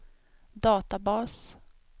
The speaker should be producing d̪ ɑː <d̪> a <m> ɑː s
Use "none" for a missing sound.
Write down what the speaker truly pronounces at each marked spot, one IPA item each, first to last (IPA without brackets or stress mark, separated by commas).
t̪, b